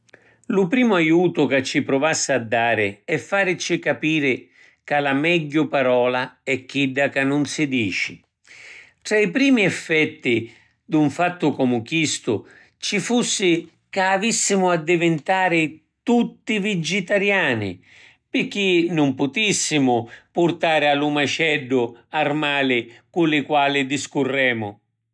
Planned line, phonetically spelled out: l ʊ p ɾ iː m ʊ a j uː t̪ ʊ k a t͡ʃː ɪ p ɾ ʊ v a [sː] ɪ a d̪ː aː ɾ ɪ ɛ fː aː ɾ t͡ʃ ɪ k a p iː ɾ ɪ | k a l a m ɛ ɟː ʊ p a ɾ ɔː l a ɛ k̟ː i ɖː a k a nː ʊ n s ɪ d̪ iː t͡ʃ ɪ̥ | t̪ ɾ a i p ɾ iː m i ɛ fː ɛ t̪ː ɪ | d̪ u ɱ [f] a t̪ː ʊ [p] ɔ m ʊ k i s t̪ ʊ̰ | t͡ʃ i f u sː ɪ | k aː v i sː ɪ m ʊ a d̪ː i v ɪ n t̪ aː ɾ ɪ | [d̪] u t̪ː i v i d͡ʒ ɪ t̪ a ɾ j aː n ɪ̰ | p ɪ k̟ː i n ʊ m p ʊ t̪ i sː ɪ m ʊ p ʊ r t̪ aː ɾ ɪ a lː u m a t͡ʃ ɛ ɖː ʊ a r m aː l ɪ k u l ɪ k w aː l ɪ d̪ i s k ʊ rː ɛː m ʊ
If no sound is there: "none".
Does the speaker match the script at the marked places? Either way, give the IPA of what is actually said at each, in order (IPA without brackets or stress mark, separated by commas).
sː, f, k, t̪